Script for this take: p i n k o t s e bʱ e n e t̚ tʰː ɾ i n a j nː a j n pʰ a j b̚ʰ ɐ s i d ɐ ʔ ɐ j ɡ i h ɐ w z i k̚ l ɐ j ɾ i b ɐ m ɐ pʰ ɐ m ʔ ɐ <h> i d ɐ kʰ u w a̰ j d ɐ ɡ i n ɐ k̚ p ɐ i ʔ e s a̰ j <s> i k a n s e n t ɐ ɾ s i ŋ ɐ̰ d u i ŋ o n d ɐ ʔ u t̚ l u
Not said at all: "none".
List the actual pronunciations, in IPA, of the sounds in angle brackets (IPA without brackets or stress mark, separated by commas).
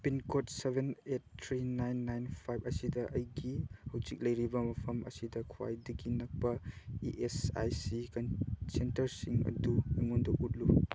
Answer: s, s